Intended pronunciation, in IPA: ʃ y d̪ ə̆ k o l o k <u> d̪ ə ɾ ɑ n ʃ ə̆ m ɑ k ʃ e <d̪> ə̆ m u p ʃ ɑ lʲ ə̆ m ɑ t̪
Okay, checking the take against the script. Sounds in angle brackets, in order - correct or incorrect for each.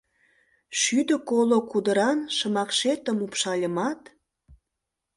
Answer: correct, incorrect: t̪

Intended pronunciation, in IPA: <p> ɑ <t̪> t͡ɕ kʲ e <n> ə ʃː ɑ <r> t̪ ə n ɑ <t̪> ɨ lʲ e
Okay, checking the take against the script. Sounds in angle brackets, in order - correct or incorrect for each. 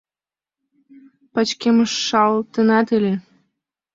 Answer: correct, incorrect: none, incorrect: m, incorrect: l, correct

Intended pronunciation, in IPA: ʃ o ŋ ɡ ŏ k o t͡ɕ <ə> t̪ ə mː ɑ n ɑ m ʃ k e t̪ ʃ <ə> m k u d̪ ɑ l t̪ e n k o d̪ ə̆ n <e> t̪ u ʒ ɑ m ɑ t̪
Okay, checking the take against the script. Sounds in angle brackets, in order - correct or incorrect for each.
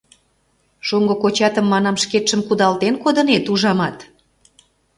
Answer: incorrect: ɑ, correct, correct

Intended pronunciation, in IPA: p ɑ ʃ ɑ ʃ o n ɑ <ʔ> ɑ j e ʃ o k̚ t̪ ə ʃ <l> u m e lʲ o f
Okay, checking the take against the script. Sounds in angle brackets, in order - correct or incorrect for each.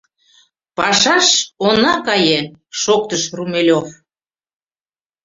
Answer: incorrect: k, incorrect: r

